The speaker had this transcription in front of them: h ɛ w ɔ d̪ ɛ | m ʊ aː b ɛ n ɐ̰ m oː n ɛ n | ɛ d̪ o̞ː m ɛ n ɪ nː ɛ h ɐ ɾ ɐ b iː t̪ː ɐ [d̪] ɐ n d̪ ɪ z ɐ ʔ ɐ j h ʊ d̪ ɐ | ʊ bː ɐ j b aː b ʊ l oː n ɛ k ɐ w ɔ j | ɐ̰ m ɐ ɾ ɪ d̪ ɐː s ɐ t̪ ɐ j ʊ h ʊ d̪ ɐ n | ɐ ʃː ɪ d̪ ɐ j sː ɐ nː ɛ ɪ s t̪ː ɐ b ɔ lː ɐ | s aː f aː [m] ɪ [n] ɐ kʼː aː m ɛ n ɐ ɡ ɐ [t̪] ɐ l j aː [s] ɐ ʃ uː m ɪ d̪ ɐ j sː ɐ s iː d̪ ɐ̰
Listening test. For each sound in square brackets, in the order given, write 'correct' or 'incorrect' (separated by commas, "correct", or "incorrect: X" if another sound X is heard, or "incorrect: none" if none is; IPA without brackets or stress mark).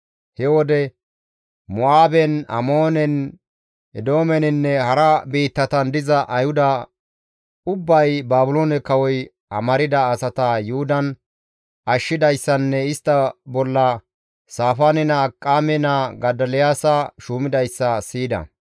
incorrect: t̪, incorrect: n, correct, incorrect: d̪, correct